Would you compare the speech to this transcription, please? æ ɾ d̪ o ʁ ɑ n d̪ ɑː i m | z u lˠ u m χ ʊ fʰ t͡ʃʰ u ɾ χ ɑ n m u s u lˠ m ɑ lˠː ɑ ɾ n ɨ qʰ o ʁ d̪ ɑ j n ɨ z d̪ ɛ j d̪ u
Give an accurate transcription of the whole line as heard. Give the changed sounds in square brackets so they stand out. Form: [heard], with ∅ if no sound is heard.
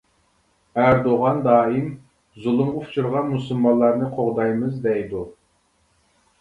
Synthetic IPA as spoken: æ ɾ d̪ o ʁ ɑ n d̪ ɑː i m | z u lˠ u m [ʁ] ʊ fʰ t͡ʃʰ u ɾ [ʁ] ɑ n m u s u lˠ m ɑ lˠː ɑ ɾ n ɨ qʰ o ʁ d̪ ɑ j [m] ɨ z d̪ ɛ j d̪ u